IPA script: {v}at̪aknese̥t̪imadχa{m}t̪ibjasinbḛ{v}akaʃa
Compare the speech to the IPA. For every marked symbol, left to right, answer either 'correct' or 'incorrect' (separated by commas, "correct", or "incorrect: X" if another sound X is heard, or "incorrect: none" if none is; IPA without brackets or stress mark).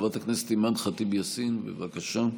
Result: correct, incorrect: none, correct